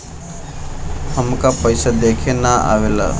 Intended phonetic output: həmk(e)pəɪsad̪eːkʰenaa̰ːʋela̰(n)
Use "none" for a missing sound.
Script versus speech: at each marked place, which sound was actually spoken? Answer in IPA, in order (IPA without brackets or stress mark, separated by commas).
a, none